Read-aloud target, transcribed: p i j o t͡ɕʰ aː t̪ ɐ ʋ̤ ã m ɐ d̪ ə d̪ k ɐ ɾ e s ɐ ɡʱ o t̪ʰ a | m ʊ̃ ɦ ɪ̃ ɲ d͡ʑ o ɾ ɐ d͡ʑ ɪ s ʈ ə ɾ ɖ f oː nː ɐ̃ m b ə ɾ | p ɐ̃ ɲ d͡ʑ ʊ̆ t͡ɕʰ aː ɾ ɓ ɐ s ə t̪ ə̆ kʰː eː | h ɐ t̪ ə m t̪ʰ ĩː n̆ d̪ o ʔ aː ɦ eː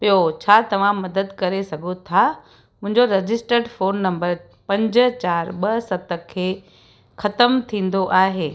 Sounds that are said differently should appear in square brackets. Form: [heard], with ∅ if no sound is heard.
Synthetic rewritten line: p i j o t͡ɕʰ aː t̪ ɐ ʋ̤ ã m ɐ d̪ ə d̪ k ɐ ɾ e s ɐ ɡʱ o t̪ʰ a | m ʊ̃ ɦ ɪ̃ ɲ d͡ʑ o ɾ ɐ d͡ʑ ɪ s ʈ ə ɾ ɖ f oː nː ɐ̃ m b ə ɾ | p ɐ̃ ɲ d͡ʑ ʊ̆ [t͡ɕ] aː ɾ ɓ ɐ s [ɐ] t̪ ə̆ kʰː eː | [x] ɐ t̪ ə m t̪ʰ ĩː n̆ d̪ o ʔ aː ɦ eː

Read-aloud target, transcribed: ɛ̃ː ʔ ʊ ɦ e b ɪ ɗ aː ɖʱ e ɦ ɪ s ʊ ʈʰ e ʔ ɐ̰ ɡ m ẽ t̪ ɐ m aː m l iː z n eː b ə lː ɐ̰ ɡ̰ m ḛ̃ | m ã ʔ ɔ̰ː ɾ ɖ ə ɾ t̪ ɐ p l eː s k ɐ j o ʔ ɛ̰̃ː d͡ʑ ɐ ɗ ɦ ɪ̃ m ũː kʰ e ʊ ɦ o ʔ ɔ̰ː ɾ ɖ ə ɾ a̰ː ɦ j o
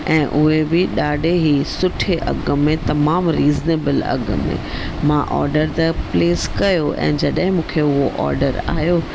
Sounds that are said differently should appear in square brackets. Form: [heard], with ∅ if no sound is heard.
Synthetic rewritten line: ɛ̃ː ʔ ʊ ɦ e b ɪ ɗ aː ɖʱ e ɦ [i] s ʊ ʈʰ e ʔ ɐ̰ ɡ m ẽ t̪ ɐ m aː m [ɾ] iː z n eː b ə [l] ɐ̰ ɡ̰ m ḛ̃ | m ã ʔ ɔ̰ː ɾ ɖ ə ɾ t̪ ɐ p l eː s k ɐ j o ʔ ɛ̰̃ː d͡ʑ ɐ ɗ ɦ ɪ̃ m ũː kʰ e ʊ ɦ o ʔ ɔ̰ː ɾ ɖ ə ɾ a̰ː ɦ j o

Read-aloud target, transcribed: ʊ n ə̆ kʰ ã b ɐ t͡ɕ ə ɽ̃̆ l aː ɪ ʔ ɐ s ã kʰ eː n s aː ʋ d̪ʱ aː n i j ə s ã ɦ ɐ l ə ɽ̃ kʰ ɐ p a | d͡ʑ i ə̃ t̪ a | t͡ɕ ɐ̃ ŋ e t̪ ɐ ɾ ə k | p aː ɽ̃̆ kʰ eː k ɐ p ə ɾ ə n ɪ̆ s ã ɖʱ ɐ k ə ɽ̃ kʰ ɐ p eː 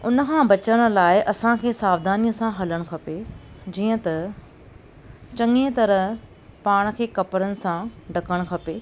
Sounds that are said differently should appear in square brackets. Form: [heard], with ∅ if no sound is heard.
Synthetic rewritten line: ʊ n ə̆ kʰ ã b ɐ t͡ɕ ə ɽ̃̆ l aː ɪ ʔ ɐ s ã kʰ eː [∅] s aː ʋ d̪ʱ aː n i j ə s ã ɦ ɐ l ə ɽ̃ kʰ ɐ p [e] | d͡ʑ [iː] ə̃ t̪ [ɐ] | t͡ɕ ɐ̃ ŋ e t̪ ɐ ɾ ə [∅] | p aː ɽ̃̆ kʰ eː k ɐ p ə ɾ ə n ɪ̆ s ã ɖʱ ɐ k ə ɽ̃ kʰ ɐ p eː

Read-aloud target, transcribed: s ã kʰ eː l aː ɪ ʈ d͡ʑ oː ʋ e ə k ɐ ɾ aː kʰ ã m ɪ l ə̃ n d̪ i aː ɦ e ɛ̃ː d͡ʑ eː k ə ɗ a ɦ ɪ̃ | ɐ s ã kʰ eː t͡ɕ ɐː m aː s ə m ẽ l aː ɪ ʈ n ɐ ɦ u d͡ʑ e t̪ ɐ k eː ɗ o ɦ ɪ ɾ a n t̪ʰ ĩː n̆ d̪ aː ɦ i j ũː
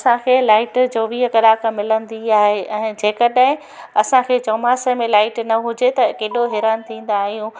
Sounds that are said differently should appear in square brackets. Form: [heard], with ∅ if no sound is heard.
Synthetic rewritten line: s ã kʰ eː l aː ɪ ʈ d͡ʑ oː ʋ [i] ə k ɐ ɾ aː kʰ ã m ɪ l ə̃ n d̪ i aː ɦ e ɛ̃ː d͡ʑ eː k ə ɗ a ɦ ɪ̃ | ɐ s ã kʰ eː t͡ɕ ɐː m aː s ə m ẽ l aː ɪ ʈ n ɐ ɦ [ʊ] d͡ʑ e t̪ ɐ k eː ɗ o ɦ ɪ ɾ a n t̪ʰ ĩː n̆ d̪ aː ɦ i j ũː

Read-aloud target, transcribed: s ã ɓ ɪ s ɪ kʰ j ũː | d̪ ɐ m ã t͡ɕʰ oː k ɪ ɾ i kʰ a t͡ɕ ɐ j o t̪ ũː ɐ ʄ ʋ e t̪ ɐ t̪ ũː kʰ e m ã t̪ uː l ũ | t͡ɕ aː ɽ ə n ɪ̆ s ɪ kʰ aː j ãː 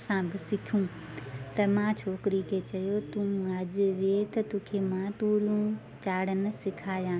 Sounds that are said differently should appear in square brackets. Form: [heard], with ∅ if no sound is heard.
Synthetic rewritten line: s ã [b] ɪ s ɪ kʰ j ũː | [t̪] ɐ m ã t͡ɕʰ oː k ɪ ɾ i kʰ [e] t͡ɕ ɐ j o t̪ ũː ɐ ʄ ʋ e t̪ ɐ t̪ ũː kʰ e m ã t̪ uː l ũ | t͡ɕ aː ɽ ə n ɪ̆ s ɪ kʰ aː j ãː

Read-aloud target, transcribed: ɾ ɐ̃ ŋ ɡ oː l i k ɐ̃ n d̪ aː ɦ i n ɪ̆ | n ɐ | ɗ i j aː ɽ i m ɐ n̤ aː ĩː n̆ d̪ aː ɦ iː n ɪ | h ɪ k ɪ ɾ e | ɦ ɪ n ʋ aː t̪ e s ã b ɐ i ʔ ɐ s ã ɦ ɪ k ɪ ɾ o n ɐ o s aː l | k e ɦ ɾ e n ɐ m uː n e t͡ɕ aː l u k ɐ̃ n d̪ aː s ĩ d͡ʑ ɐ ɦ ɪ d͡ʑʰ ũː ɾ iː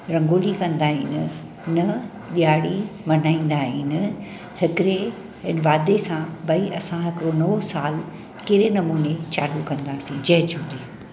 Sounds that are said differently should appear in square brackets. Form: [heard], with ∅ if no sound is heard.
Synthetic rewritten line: ɾ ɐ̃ ŋ ɡ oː l i k ɐ̃ n d̪ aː ɦ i n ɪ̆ | n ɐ | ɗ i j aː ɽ i m ɐ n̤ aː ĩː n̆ d̪ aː ɦ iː n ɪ | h ɪ k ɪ ɾ e | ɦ ɪ n ʋ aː [d̪] e s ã b ɐ i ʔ ɐ s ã ɦ ɪ k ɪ ɾ o n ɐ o s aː l | k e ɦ ɾ e n ɐ m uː n e t͡ɕ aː l u k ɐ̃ n d̪ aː s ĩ d͡ʑ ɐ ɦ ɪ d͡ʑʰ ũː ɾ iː

